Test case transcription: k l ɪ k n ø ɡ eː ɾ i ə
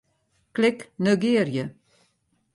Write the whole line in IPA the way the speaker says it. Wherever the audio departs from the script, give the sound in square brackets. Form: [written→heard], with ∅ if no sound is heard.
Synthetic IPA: k l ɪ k n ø ɡ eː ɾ [i→j] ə